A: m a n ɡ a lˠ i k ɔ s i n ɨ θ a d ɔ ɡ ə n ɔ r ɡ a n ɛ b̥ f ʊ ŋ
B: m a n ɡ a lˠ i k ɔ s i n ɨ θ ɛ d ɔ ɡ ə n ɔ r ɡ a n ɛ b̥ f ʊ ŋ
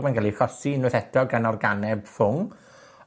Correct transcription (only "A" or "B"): B